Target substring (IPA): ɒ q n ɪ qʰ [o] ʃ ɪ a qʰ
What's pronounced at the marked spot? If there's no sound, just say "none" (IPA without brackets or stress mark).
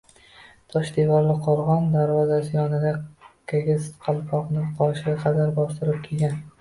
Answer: ɒ